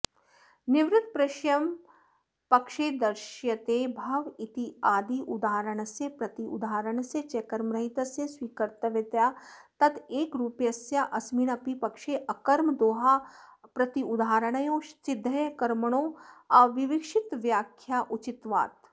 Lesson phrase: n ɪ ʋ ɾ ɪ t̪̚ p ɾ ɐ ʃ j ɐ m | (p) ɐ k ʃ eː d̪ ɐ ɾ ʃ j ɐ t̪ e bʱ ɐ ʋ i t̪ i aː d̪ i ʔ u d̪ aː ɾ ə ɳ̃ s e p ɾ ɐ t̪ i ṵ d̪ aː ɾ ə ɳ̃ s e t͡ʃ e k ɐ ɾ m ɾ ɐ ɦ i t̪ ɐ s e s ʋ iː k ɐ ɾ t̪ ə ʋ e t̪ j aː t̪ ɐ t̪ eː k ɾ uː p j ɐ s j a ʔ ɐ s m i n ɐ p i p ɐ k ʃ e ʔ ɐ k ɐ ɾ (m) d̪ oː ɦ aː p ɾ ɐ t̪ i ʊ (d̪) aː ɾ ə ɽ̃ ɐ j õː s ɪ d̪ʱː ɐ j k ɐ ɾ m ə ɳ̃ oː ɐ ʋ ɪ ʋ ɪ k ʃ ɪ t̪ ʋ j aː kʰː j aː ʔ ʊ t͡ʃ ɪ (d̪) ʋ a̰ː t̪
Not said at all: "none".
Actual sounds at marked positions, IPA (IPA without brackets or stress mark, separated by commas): p, m, d̪, t̪